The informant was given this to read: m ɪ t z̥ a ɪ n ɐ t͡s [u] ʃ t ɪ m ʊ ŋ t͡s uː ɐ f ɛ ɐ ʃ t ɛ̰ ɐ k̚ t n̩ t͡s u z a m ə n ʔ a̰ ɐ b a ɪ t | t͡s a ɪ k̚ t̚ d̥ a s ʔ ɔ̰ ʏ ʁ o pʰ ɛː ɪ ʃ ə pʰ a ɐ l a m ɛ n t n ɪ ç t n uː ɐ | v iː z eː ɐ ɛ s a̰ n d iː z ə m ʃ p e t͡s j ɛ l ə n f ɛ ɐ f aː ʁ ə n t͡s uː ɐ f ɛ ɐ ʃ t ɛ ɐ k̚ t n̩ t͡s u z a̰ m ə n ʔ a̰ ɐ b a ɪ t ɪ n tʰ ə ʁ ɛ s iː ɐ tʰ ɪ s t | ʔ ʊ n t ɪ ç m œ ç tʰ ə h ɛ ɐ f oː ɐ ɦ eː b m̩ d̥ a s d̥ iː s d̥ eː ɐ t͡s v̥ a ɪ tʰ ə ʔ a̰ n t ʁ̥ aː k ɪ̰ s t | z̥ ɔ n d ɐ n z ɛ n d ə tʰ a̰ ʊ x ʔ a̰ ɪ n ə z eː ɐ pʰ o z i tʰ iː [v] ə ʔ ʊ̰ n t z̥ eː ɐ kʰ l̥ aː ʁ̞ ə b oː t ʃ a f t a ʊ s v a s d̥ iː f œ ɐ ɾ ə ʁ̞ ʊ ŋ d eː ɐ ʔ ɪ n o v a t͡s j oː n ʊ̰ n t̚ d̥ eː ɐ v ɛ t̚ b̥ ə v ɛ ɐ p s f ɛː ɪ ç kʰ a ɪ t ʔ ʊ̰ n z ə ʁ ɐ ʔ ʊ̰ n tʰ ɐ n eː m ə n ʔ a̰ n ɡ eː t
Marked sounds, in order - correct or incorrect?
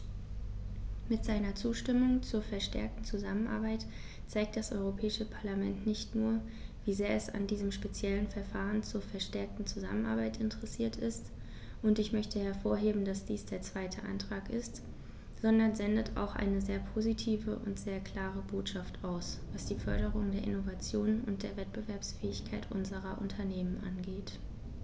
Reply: incorrect: uː, correct

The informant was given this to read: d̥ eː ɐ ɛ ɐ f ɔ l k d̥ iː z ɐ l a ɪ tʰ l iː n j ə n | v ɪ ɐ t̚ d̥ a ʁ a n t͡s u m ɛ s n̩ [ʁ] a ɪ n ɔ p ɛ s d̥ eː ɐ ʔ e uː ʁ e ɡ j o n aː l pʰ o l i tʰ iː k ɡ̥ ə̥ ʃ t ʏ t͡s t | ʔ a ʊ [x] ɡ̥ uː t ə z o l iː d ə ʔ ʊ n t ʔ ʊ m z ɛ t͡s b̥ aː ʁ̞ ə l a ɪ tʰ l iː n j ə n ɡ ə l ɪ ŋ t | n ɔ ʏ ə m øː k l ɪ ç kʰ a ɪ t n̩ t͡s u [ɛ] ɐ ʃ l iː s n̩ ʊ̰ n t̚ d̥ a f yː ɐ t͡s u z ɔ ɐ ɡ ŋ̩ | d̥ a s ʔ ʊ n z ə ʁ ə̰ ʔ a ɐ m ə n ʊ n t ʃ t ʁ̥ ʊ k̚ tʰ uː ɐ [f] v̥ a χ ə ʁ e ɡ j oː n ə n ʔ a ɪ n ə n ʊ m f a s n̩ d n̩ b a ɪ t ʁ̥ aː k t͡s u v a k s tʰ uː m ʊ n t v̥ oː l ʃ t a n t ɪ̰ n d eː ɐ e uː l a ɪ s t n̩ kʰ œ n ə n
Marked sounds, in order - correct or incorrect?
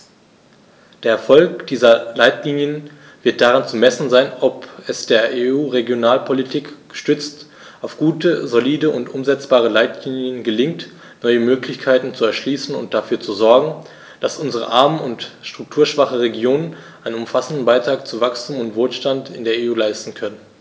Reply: incorrect: z, incorrect: f, correct, incorrect: ʃ

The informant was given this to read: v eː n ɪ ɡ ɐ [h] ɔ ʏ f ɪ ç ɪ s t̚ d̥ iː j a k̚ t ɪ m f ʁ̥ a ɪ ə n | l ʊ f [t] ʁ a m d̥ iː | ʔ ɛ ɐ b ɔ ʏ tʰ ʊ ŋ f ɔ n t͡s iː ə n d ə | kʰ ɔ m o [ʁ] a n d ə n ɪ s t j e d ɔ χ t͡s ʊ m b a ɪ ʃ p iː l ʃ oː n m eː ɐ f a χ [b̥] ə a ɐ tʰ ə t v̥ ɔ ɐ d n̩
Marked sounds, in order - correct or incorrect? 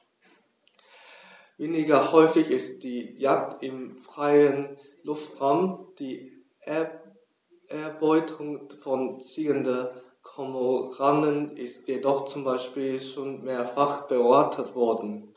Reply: correct, correct, correct, correct

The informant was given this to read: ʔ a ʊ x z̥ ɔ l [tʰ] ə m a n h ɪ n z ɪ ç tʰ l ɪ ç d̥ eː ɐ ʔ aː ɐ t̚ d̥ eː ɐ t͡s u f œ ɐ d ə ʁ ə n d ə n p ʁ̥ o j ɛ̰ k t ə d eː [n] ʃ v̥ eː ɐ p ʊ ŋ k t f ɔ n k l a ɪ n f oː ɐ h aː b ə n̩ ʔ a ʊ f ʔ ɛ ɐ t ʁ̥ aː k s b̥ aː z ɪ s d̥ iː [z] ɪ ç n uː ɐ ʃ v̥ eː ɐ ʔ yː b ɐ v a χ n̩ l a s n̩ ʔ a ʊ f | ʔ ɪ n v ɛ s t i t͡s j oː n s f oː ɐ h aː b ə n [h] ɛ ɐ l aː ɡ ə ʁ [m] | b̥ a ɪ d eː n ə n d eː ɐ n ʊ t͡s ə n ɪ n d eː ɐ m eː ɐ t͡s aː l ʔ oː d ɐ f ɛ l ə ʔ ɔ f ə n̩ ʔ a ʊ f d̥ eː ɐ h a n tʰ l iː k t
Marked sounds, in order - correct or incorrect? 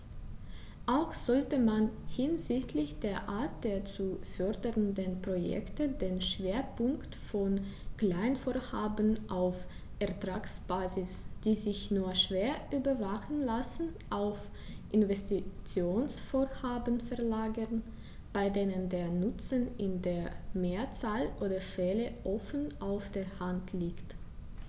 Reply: incorrect: t, correct, correct, incorrect: f, incorrect: n

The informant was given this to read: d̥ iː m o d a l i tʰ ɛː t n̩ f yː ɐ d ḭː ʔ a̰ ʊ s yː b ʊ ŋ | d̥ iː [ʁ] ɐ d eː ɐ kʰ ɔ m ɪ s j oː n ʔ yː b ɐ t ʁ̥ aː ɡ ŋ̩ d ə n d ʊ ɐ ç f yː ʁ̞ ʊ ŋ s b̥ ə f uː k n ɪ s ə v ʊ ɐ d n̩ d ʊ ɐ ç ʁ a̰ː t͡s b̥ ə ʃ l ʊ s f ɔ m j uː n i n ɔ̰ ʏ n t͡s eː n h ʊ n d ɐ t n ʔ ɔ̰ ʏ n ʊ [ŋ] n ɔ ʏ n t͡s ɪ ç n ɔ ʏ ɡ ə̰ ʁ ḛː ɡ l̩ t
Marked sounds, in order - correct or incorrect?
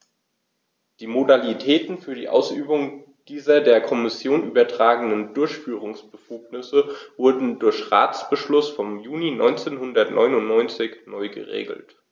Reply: incorrect: z, incorrect: n

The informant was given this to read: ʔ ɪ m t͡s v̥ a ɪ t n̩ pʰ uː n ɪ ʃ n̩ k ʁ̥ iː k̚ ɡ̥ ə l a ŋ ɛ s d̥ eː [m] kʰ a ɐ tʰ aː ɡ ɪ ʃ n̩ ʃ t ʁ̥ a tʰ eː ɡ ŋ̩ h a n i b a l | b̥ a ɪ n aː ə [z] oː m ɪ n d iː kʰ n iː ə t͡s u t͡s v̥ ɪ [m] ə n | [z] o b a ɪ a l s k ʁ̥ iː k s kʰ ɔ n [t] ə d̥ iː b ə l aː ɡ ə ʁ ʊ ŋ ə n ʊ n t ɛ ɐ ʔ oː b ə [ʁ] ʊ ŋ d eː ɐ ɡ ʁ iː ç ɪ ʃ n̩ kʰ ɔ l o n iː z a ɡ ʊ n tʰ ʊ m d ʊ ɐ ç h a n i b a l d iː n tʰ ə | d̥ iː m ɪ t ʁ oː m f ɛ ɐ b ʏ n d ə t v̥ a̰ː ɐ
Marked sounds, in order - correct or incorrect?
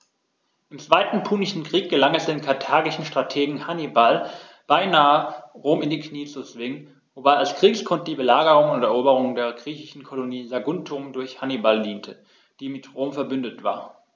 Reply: incorrect: n, incorrect: ʁ, incorrect: ŋ, incorrect: v, correct, correct

